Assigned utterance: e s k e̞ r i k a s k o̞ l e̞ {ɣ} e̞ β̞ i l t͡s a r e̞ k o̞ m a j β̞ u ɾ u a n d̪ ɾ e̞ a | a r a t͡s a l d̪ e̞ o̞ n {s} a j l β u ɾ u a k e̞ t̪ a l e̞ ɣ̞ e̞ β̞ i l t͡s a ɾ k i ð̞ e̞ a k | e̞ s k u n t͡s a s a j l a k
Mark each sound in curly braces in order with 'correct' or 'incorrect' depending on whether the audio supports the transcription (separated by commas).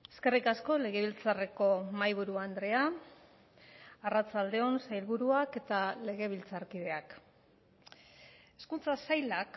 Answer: correct, correct